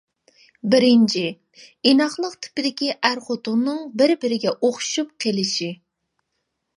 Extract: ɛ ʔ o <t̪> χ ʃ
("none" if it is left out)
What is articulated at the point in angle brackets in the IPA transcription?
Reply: none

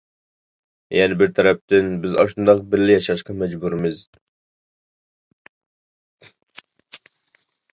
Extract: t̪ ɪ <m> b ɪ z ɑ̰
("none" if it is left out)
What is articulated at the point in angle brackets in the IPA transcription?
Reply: n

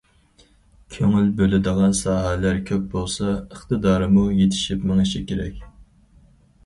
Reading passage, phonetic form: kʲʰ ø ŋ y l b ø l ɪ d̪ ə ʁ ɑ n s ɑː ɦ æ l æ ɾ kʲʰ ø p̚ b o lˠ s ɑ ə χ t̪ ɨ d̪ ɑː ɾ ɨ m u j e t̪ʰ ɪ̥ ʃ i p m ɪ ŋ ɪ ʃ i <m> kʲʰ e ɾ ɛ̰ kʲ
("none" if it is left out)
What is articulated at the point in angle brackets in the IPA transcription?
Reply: none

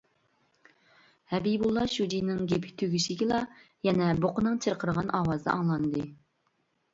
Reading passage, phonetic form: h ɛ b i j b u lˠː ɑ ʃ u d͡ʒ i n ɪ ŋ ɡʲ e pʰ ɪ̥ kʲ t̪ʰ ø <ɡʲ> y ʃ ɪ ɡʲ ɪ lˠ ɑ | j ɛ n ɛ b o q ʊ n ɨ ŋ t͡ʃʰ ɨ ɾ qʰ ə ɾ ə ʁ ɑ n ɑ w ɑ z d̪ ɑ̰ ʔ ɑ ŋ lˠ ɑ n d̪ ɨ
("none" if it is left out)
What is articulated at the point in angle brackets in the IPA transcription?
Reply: ɡʲ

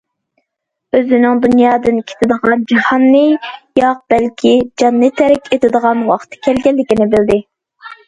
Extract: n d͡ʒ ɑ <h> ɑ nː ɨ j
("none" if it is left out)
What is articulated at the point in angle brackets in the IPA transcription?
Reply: h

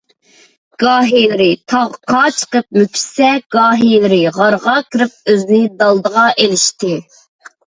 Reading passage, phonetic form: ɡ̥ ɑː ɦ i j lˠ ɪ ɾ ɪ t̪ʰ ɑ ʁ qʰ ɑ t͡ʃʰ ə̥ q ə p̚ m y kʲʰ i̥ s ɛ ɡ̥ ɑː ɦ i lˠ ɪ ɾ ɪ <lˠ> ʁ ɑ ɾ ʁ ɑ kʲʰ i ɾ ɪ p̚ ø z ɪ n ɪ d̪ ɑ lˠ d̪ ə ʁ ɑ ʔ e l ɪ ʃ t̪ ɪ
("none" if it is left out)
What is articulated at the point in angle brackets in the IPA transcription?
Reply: none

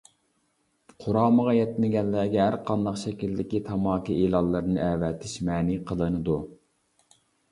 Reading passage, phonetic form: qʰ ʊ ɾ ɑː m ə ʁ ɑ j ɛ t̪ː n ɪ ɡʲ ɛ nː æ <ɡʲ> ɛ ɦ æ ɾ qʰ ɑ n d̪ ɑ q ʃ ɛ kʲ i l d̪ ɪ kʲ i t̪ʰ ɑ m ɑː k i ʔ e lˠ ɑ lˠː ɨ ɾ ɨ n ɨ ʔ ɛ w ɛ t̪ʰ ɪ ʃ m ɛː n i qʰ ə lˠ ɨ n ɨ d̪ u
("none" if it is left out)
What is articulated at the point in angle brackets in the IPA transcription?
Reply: ɡʲ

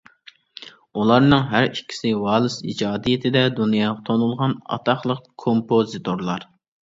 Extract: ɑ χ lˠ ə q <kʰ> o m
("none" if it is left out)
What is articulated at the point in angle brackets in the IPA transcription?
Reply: kʰ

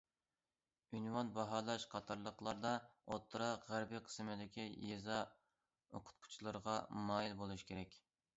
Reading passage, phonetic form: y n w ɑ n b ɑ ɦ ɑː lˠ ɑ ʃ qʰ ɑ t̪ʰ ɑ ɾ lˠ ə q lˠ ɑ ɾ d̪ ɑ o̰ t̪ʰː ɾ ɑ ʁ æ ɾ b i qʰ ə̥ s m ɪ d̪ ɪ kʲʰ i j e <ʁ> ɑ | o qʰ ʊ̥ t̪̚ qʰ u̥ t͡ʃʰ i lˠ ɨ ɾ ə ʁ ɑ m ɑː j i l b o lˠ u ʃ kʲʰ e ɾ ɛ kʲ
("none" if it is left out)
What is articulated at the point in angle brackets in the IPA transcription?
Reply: z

